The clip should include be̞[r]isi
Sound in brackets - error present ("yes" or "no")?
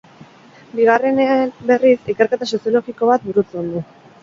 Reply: no